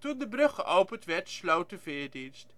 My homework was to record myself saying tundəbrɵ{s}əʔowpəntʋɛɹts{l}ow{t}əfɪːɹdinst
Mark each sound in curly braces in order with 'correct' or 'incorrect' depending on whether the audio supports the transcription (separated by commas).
incorrect, correct, correct